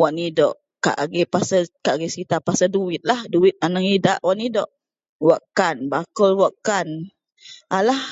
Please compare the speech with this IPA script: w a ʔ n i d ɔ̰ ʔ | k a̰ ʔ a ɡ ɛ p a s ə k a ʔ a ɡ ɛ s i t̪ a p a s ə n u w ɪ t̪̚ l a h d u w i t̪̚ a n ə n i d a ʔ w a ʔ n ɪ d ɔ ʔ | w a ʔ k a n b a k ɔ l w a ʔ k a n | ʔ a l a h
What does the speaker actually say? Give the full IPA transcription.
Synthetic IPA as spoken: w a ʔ n i d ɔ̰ ʔ | k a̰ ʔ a ɡ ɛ p a s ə k a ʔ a ɡ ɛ s i t̪ a p a s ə d u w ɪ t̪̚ l a h d u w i t̪̚ a n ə ŋ i d a ʔ w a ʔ n i d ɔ ʔ | w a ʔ k a n b a k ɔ l w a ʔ k a n | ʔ a l a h